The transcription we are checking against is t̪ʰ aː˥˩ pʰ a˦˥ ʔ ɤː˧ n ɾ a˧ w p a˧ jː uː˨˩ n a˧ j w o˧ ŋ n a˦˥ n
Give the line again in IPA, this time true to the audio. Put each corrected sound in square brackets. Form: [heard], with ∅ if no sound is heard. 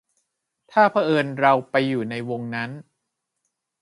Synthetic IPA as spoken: t̪ʰ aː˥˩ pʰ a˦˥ ʔ ɤː˧ n ɾ a˧ w p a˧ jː uː˨˩ n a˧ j w o˧ ŋ n a˦˥ n